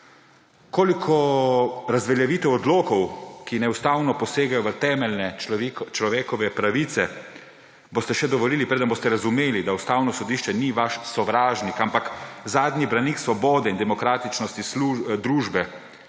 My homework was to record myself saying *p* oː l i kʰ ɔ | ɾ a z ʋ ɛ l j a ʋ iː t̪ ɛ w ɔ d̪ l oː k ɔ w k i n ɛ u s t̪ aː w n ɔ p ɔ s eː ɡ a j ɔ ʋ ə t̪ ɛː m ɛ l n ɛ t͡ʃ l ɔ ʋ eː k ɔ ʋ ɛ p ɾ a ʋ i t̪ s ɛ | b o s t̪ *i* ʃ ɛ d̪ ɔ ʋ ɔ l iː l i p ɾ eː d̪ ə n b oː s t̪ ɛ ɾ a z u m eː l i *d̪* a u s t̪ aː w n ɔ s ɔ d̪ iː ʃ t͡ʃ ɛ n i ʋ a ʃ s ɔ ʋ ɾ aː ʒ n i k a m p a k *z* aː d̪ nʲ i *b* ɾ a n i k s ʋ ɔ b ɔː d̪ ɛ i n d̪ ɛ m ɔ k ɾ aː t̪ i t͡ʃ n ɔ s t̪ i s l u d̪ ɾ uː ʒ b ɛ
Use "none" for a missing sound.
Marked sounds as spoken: k, ɛ, d̪, z, b

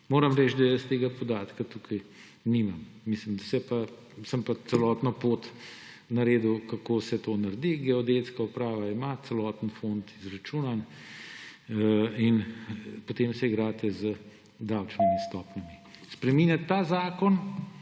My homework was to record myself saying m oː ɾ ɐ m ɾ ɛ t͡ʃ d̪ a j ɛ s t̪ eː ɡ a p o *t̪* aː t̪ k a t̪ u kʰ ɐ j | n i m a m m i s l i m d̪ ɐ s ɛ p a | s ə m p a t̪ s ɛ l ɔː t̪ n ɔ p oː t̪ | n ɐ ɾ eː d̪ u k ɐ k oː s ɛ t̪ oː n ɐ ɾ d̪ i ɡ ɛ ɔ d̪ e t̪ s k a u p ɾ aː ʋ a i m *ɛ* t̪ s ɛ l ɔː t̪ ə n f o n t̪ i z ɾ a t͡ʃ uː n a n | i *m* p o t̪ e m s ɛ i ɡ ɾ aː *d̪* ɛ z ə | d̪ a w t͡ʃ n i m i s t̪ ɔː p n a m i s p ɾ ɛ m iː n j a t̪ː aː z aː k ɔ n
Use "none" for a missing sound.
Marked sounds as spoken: d̪, a, n, t̪

